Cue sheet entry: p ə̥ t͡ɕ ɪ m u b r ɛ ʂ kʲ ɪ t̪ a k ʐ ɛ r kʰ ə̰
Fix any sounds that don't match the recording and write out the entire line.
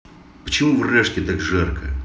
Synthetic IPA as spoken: p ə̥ t͡ɕ ɪ m u v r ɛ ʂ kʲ ɪ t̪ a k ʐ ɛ r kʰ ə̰